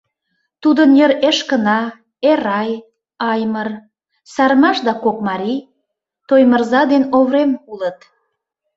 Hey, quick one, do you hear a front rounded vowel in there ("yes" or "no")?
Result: no